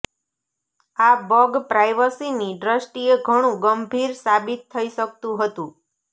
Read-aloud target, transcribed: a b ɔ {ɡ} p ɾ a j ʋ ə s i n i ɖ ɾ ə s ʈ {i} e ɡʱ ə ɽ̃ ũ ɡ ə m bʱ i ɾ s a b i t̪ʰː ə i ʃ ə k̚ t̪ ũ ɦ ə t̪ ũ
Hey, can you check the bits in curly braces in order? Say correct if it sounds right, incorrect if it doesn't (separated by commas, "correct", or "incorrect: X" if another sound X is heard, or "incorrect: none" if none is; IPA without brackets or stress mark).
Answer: correct, correct